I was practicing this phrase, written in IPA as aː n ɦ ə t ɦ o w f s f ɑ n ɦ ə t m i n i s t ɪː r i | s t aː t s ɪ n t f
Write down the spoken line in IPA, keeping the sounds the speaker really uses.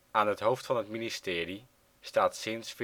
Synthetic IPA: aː n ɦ ə t ɦ o w f t f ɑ n ɦ ə t m i n i s t ɪː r i | s t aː t s ɪ n s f